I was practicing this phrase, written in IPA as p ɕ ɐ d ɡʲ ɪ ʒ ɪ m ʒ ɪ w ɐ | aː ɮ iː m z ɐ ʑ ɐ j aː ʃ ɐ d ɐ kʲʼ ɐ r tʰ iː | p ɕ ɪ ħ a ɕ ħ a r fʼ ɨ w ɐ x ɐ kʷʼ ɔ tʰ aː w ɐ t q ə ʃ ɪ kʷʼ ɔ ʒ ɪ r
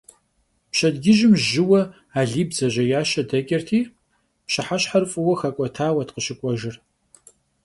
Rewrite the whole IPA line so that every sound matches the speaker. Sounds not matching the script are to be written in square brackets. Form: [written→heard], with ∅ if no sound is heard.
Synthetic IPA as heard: p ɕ ɐ d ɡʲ ɪ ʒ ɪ m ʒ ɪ w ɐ | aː ɮ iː [m→b] z ɐ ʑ ɐ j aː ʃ ɐ d ɐ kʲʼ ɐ r tʰ iː | p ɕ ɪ ħ a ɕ ħ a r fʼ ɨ w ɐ x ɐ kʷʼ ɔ tʰ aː w ɐ t q ə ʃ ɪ kʷʼ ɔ ʒ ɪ r